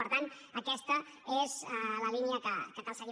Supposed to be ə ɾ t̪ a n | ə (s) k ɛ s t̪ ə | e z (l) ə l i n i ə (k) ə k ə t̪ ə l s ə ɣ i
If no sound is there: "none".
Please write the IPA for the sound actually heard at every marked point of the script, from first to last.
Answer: none, l, k

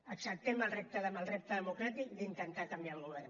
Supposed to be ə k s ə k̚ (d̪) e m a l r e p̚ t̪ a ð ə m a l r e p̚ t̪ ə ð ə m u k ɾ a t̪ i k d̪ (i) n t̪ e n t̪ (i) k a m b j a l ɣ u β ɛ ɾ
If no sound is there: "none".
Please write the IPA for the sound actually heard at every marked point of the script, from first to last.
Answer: t̪, i, a

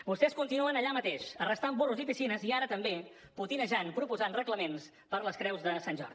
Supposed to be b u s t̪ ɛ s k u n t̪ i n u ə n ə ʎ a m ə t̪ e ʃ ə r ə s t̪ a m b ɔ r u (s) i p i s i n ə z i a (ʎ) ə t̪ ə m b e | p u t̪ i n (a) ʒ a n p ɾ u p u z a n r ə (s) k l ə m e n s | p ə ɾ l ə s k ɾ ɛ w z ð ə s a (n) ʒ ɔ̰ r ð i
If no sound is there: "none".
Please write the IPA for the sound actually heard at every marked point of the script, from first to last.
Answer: z, ɾ, ə, none, n

